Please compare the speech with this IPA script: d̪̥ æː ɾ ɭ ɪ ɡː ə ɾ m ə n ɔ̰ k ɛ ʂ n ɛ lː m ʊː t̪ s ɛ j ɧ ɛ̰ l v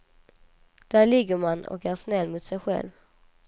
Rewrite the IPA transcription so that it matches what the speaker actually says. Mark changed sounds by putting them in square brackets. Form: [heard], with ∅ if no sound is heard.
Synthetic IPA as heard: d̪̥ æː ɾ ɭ ɪ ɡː ə ɾ m [a] n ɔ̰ k [æ] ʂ n ɛ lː m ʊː t̪ s ɛ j ɧ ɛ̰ l v